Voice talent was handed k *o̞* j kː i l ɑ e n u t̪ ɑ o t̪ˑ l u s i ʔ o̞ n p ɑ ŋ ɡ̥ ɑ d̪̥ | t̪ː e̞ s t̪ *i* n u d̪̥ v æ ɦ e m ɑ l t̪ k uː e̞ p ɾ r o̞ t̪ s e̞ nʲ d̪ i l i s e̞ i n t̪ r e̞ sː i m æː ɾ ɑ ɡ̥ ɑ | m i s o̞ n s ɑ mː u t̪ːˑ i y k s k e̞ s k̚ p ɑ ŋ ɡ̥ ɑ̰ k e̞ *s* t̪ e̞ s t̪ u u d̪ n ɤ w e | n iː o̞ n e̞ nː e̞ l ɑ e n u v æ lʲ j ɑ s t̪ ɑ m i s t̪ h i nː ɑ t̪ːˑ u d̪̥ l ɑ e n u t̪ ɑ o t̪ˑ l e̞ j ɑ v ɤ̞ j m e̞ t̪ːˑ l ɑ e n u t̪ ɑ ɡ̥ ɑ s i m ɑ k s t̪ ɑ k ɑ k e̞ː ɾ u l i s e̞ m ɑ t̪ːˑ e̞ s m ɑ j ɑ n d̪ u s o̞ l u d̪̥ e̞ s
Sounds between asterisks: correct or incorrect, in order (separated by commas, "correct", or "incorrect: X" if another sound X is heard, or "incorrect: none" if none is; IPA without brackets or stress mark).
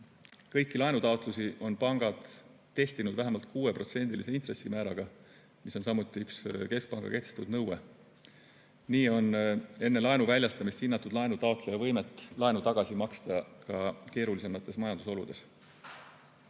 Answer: incorrect: ɤ̞, correct, incorrect: h